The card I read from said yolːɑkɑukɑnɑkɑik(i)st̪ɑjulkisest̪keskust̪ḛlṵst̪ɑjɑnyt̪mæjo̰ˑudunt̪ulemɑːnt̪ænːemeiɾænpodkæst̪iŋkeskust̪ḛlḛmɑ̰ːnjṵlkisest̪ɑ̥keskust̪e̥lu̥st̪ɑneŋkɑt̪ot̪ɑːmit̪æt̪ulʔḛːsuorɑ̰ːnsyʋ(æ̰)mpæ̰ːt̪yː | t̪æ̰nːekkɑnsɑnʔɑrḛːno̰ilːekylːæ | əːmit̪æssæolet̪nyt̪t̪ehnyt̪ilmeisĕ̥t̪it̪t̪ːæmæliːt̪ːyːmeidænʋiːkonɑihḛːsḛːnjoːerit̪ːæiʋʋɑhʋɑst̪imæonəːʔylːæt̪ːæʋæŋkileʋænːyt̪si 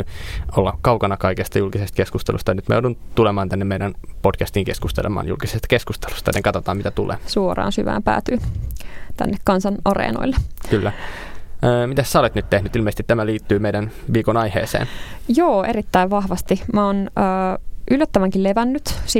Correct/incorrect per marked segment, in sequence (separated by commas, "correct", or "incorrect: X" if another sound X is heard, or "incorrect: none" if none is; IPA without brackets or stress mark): incorrect: e, incorrect: æ̰ː